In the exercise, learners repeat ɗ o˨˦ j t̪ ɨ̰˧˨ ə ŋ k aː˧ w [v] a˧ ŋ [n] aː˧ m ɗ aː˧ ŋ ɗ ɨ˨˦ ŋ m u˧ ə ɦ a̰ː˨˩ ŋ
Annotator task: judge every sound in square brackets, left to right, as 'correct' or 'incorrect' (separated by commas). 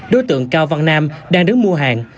correct, correct